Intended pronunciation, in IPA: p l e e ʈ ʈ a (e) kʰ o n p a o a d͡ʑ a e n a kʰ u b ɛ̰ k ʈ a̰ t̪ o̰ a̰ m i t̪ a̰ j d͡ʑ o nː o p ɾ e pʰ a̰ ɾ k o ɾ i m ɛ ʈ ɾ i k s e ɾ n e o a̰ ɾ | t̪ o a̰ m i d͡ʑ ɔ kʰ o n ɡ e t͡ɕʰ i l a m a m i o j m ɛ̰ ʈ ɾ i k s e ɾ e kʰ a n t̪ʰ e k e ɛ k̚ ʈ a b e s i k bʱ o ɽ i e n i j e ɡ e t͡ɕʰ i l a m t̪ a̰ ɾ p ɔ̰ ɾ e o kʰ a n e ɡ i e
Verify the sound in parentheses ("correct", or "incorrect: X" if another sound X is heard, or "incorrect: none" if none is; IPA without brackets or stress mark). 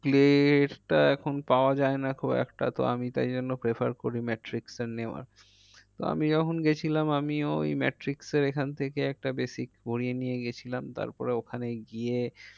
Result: incorrect: ɛ